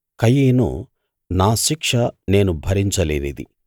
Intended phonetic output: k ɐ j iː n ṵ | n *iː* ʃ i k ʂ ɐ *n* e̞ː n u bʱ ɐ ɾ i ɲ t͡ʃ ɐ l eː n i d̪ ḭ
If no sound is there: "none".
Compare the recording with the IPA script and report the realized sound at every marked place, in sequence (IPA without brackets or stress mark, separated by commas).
aː, n